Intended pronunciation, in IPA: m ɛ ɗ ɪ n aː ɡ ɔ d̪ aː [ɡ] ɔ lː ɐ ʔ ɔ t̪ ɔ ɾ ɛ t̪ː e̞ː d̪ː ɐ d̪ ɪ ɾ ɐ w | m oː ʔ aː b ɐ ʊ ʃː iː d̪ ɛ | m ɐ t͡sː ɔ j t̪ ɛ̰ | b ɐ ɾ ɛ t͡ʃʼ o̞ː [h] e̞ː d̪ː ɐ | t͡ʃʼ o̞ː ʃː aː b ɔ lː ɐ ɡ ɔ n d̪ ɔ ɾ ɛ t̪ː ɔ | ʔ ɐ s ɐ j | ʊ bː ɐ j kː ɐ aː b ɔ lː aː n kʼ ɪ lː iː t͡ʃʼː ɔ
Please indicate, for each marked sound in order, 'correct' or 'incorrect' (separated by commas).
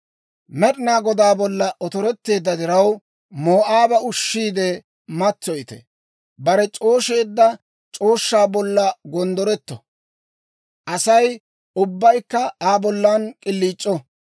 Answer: incorrect, incorrect